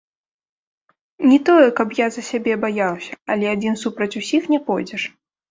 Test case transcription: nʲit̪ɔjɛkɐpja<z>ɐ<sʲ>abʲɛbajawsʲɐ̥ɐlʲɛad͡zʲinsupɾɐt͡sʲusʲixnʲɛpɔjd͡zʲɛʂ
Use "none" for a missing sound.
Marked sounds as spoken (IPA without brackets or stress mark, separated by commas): z, sʲ